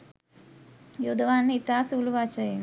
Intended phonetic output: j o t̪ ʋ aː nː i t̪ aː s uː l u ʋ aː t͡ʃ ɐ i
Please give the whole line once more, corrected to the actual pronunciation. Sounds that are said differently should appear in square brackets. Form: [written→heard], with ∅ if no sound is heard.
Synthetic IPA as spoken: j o [t̪→d̪] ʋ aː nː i t̪ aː s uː l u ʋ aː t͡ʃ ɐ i